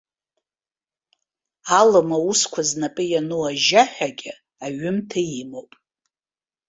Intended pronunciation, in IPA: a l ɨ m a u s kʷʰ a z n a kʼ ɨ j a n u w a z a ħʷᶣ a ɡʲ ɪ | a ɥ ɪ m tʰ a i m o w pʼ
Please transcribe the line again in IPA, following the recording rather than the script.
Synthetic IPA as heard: a l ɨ m a u s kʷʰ a z n a pʼ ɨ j a n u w a ʒ a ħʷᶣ a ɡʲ ɪ | a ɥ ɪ m tʰ a i m o w pʼ